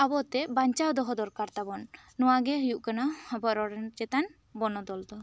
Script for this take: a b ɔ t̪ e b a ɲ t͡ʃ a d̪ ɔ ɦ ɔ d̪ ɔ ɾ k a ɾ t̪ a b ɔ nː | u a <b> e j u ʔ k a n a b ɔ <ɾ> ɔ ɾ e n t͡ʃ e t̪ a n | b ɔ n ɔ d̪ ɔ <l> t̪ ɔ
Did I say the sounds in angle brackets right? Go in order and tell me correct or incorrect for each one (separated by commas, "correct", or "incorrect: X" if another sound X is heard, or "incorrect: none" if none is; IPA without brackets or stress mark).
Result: incorrect: ɡ, correct, correct